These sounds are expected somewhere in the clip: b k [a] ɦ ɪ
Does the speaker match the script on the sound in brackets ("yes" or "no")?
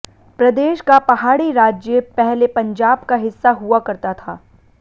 yes